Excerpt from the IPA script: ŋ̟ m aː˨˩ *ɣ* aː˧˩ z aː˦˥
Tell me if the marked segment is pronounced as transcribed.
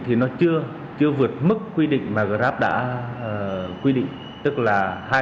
yes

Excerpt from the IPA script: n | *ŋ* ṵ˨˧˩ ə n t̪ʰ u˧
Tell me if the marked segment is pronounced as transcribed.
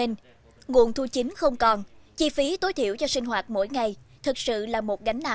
yes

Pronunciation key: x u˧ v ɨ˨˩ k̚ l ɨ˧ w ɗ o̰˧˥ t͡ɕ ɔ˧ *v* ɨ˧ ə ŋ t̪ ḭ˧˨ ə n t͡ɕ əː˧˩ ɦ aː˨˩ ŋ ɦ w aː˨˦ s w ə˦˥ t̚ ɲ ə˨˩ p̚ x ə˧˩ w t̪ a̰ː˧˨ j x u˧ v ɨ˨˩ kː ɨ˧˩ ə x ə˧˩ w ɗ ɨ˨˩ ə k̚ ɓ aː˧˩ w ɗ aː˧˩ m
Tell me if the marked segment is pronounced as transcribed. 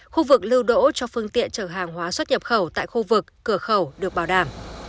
no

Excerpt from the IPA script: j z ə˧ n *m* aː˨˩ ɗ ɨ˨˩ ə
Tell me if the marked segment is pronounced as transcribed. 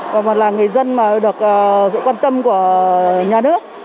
yes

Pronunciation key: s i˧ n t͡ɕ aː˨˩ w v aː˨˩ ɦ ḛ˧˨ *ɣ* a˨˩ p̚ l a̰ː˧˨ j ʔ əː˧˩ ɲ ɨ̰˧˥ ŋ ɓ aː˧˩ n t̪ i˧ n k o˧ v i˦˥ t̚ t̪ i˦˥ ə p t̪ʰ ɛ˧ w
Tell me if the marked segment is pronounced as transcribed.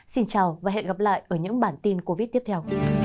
yes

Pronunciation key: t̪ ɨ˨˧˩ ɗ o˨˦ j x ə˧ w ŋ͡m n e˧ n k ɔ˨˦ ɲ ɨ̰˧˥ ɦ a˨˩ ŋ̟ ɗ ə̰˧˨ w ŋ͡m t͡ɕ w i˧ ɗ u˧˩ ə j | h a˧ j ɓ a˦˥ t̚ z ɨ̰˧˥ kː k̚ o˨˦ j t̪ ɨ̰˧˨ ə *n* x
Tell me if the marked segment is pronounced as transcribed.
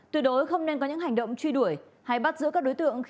no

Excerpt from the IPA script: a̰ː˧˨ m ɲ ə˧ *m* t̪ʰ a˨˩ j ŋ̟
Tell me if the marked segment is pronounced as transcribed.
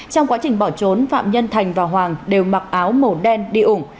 no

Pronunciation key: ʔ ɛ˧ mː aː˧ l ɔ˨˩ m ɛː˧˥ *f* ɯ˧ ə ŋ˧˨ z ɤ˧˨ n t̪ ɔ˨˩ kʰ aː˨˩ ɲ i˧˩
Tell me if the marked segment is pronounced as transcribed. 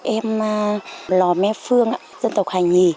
yes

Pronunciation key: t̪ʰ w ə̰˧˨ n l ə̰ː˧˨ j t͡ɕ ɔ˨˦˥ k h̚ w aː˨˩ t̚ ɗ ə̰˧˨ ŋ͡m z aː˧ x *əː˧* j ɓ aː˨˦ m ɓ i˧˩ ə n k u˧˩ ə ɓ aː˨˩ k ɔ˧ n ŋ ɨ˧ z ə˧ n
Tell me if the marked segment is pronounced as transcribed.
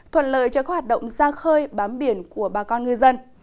yes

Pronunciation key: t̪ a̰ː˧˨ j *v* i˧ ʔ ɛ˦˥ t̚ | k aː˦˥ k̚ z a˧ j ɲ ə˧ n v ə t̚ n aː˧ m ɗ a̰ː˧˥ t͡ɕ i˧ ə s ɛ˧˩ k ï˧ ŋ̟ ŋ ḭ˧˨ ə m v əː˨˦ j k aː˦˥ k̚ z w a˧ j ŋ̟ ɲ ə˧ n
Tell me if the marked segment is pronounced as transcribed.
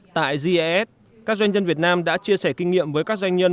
no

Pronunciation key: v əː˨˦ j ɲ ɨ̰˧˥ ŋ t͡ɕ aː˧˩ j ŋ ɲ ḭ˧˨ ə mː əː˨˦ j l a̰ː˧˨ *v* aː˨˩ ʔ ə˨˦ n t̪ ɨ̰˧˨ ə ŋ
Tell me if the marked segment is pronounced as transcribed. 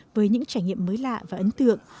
yes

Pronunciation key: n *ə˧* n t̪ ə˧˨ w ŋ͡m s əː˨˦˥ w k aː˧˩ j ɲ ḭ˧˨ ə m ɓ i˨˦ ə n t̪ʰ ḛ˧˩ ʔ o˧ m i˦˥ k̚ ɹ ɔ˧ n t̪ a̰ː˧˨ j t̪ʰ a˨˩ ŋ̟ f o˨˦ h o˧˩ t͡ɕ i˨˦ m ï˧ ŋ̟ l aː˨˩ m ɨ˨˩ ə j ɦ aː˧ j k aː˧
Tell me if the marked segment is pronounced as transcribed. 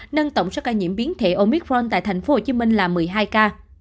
yes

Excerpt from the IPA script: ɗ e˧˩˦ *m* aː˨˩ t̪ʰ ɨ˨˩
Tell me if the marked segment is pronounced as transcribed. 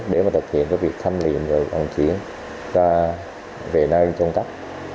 yes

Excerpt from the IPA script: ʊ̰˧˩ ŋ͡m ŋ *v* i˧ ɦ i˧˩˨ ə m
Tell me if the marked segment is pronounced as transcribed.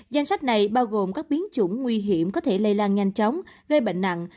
no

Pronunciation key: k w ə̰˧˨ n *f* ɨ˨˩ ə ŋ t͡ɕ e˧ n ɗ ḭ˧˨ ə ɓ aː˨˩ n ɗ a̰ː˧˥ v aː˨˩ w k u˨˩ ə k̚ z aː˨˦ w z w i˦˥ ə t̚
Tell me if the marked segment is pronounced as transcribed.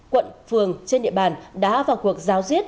yes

